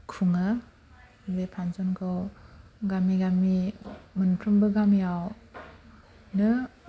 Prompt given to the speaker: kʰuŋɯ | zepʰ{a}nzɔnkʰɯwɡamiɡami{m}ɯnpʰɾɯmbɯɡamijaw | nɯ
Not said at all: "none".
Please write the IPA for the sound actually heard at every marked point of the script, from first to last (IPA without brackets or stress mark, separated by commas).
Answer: a, m